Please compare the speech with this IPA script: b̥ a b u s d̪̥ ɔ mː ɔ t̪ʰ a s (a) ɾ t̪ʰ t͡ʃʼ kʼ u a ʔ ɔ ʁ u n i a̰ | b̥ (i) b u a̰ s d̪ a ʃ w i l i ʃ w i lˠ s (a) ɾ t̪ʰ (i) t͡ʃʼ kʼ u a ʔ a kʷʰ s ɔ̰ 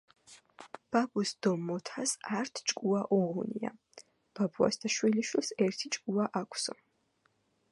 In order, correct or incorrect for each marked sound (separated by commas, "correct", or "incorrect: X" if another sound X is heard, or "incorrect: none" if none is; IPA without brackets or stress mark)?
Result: correct, incorrect: a, incorrect: ɛ, correct